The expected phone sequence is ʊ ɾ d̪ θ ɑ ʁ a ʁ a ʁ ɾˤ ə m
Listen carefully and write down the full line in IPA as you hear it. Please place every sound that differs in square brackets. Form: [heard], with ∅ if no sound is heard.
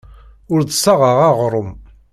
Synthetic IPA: ʊ ɾ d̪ [s] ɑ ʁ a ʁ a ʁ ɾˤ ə m

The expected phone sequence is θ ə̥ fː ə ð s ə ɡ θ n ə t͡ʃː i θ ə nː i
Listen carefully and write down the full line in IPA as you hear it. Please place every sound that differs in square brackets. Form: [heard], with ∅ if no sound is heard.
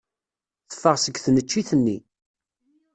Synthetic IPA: θ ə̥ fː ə [ʁ] s ə ɡ θ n ə t͡ʃː i θ ə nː i

